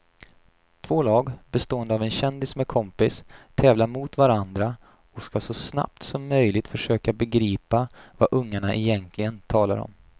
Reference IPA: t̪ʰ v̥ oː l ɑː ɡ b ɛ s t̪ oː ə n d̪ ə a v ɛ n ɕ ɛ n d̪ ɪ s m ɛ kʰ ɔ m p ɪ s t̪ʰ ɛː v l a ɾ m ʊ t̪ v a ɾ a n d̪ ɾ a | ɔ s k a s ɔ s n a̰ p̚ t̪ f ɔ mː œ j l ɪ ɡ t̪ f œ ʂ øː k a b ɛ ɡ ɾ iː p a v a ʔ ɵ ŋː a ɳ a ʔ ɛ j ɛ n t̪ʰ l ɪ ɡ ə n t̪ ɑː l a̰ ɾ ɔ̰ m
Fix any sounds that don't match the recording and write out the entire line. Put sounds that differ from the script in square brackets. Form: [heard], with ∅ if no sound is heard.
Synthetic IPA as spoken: t̪ʰ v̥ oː l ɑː ɡ b ɛ s t̪ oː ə n d̪ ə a v ɛ n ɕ ɛ n d̪ ɪ s m ɛ kʰ ɔ m p ɪ s t̪ʰ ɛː v l a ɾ m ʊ t̪ v a ɾ a n d̪ ɾ a | ɔ s k a s ɔ s n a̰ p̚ t̪ [s] ɔ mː œ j l ɪ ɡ t̪ f œ ʂ øː k a b ɛ ɡ ɾ iː p a v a ʔ ɵ ŋː a ɳ a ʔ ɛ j ɛ n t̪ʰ l ɪ ɡ ə n [t̪ʰ] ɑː l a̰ ɾ ɔ̰ m